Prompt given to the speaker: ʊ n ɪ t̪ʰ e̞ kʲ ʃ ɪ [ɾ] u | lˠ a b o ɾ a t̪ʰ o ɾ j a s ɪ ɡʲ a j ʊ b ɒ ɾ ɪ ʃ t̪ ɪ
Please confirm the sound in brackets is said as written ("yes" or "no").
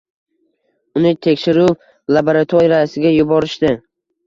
yes